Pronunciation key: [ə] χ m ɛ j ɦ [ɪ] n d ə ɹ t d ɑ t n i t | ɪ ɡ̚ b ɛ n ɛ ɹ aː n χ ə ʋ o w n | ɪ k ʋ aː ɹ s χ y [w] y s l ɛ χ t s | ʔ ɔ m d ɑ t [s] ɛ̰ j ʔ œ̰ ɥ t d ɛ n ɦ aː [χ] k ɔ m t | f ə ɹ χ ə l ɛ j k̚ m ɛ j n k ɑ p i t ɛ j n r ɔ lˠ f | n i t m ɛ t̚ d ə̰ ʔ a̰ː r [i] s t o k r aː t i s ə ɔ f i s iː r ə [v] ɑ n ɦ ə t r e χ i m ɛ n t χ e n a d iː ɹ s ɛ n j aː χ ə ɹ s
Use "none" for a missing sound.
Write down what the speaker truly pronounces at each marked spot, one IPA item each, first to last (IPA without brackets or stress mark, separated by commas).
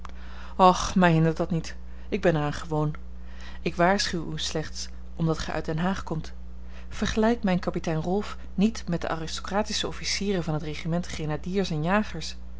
ɑ, ɪ, w, χ, χ, ɪ, v